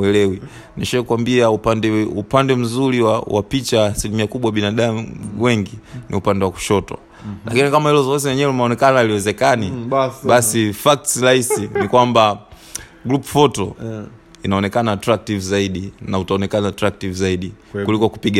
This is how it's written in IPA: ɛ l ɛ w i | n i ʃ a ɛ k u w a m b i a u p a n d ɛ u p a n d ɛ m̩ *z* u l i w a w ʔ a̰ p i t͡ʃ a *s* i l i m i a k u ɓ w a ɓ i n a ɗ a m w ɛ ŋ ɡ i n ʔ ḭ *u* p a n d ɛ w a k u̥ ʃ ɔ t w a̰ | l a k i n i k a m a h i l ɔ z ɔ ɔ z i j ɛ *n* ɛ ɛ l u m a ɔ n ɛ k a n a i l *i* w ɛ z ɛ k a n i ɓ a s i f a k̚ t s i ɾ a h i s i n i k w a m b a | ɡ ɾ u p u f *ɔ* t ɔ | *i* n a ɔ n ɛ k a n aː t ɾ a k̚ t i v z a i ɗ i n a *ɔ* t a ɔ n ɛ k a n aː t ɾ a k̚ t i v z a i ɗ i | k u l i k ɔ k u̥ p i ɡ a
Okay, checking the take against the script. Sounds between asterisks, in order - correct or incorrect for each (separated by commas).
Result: correct, correct, correct, incorrect, correct, correct, correct, incorrect